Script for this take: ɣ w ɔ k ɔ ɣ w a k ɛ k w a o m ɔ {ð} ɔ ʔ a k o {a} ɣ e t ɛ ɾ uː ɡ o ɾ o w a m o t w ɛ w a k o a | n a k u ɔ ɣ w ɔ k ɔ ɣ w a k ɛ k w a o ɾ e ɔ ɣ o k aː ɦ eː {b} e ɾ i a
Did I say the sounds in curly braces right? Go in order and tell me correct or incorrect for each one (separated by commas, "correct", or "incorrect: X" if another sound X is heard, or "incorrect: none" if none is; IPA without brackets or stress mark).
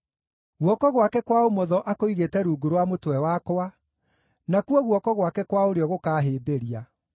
correct, incorrect: i, correct